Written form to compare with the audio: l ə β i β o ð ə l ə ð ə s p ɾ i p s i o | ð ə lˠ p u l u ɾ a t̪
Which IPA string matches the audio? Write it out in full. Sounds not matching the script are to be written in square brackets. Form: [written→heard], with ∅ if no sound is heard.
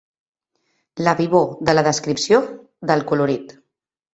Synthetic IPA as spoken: l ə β i β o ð ə l ə ð ə s [p→k] ɾ i p s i o | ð ə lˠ [p→k] u l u ɾ [a→i] t̪